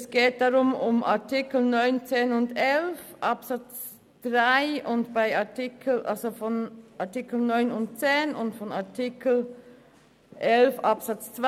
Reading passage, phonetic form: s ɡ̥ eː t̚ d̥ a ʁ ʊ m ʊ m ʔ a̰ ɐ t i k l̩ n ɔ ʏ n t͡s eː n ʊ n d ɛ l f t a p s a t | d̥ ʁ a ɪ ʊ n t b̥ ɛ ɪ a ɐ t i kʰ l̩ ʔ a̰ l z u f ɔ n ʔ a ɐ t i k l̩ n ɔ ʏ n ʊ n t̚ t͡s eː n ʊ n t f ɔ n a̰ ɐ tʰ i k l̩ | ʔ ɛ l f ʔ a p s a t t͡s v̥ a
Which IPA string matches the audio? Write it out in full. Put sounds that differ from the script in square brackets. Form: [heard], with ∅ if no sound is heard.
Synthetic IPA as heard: s ɡ̥ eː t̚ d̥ a ʁ ʊ m ʊ m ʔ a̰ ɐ t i k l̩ n ɔ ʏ n t͡s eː n ʊ n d ɛ l f [ʔ] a p s a [t͡s] | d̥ ʁ a ɪ ʊ n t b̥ [a] ɪ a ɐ t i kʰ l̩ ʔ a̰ l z [o] f ɔ n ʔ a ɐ t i k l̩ n ɔ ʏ n ʊ n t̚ t͡s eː n ʊ n t f ɔ n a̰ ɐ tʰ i k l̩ | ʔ ɛ l f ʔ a p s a [t͡s] t͡s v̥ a